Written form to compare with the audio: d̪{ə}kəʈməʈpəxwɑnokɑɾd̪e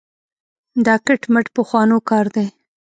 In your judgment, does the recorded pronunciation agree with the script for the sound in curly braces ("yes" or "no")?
no